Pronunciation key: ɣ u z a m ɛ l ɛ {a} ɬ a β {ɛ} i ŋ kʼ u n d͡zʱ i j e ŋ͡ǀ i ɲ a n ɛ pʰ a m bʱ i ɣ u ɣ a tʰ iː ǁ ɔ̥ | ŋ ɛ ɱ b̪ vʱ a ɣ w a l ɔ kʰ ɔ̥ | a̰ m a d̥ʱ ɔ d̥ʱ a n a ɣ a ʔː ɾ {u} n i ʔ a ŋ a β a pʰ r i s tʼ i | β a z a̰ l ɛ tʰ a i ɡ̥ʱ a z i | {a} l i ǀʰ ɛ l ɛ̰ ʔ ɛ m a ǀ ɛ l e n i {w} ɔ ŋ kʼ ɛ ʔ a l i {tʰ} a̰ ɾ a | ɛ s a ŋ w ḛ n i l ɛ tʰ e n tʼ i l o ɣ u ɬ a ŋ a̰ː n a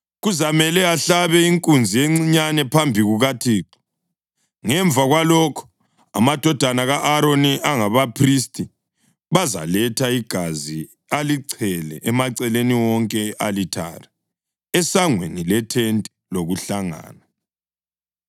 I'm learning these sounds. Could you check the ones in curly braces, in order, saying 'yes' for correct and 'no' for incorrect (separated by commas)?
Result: yes, yes, no, yes, yes, yes